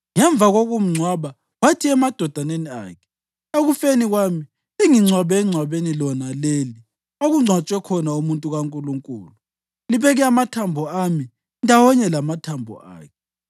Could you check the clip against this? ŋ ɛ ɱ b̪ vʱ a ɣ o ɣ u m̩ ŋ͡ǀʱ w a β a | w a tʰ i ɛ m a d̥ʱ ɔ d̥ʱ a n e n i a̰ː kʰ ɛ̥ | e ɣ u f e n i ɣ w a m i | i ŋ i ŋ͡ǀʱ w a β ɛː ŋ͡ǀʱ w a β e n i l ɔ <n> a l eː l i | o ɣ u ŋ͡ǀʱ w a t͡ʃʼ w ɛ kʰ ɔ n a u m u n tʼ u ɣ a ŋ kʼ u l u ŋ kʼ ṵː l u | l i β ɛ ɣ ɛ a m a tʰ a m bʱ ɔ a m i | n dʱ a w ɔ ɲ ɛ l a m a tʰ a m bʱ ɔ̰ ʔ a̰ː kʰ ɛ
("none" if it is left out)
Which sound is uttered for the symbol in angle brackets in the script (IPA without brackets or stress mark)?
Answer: n